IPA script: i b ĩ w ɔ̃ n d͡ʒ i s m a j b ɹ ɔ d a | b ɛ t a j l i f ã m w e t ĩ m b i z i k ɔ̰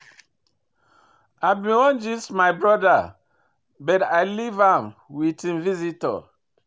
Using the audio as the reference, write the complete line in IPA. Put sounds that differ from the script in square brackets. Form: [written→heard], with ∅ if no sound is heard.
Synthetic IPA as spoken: [i→a] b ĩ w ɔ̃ n d͡ʒ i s m a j b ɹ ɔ d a | b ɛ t a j l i [f→v] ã m w [e→i] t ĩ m [b→v] i z i [k→t] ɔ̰